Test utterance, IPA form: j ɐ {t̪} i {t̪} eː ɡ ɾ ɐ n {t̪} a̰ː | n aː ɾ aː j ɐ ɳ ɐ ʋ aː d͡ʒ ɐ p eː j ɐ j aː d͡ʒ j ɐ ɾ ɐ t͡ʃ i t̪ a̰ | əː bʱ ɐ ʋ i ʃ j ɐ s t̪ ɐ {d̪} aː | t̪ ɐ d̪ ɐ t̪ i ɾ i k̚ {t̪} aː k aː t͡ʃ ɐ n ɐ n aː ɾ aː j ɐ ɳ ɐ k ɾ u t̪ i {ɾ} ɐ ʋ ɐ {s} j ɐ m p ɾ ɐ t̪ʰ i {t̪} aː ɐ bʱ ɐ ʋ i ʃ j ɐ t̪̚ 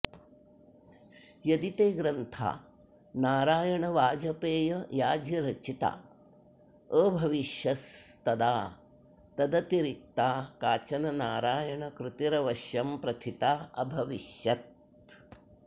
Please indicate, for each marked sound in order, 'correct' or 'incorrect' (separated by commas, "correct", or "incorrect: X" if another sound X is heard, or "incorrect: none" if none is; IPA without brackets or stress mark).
incorrect: d̪, correct, incorrect: t̪ʰ, correct, correct, correct, incorrect: ʃ, correct